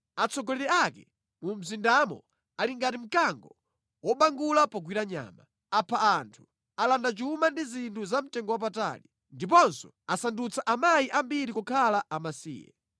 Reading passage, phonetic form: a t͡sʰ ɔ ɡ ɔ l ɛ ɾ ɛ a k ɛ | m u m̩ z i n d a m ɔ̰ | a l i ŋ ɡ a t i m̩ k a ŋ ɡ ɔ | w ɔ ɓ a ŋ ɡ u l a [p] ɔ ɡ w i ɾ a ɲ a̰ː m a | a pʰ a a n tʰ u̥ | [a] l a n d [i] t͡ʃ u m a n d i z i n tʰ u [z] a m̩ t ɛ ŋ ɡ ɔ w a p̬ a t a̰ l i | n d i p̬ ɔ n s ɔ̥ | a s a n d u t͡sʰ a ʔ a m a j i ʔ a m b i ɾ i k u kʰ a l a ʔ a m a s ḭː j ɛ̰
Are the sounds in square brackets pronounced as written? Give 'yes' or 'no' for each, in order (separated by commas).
yes, yes, no, yes